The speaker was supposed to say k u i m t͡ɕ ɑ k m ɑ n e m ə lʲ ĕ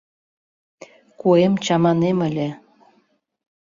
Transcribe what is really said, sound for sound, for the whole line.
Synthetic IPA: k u e m t͡ɕ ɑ m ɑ n e m ə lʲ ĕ